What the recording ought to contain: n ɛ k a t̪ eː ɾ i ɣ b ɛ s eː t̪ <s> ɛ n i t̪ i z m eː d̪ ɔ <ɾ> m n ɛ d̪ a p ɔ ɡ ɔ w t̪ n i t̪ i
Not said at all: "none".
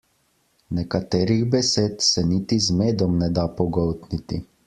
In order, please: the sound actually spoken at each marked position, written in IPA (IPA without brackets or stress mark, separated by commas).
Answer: s, none